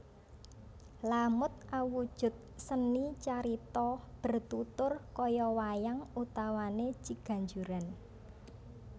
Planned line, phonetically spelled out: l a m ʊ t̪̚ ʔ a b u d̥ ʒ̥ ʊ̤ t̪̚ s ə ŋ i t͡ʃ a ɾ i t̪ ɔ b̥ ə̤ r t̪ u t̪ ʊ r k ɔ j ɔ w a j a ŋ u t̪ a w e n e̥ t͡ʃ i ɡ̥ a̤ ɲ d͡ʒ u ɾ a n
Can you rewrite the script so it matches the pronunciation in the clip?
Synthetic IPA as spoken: l a m ʊ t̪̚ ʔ a w u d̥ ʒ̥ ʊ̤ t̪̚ s ə n i t͡ʃ a ɾ i t̪ ɔ b̥ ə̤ r t̪ u t̪ ʊ r k ɔ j ɔ w a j a ŋ u t̪ a w a n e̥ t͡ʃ i ɡ̥ a̤ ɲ d͡ʒ u ɾ a n